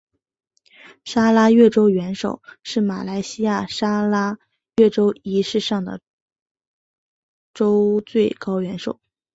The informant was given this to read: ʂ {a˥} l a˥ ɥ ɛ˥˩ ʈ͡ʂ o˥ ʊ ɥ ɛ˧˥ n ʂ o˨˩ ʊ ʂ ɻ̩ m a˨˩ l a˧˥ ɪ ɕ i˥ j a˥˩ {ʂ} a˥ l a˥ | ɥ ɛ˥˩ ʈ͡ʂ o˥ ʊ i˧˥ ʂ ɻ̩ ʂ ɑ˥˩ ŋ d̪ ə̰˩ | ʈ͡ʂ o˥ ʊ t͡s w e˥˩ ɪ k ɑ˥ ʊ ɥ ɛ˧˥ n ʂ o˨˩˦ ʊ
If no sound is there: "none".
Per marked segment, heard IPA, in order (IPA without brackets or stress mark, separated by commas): a˥, ʂ